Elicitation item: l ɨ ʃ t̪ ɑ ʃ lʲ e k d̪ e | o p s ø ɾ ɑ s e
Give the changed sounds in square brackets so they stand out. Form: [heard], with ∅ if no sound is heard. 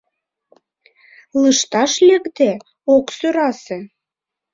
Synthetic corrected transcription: l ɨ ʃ t̪ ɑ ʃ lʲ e k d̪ e | o [k] s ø ɾ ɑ s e